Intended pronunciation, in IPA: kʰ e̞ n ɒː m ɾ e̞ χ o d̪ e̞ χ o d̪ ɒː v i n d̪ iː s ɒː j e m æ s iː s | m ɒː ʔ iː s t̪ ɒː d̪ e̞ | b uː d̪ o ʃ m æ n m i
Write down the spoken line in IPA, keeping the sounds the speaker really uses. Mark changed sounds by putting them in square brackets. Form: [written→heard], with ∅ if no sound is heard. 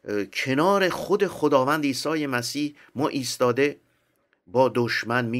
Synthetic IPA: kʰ e̞ n ɒː [m→∅] ɾ e̞ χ o d̪ e̞ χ o d̪ ɒː v [i→æ] n d̪ iː s ɒː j e m æ s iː [s→h] | m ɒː ʔ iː s t̪ ɒː d̪ e̞ | b [uː→ɒː] d̪ o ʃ m æ n m i